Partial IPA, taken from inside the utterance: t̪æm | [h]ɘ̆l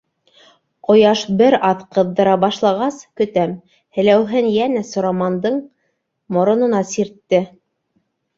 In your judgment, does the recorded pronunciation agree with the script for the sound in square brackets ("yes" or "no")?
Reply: yes